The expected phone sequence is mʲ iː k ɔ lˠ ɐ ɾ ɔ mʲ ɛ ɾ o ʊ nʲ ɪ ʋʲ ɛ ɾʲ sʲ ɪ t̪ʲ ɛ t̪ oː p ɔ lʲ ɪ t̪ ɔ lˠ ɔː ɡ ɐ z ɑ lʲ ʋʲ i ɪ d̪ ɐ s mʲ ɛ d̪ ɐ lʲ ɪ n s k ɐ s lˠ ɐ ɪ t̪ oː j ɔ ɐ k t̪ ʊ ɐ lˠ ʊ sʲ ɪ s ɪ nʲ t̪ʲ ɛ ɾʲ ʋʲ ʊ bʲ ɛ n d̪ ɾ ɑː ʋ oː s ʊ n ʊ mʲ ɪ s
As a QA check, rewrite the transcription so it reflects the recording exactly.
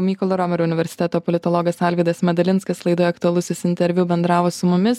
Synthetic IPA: mʲ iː k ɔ lˠ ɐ ɾ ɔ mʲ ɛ ɾ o ʊ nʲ ɪ ʋʲ ɛ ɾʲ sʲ ɪ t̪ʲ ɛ t̪ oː p ɔ lʲ ɪ t̪ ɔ lˠ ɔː ɡ ɐ s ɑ lʲ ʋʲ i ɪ d̪ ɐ s mʲ ɛ d̪ ɐ lʲ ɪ n s k ɐ s lˠ ɐ ɪ d̪ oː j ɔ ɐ k t̪ ʊ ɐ lˠ ʊ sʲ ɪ s ɪ nʲ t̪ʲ ɛ ɾʲ ʋʲ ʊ bʲ ɛ n d̪ ɾ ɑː ʋ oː s ʊ m ʊ mʲ ɪ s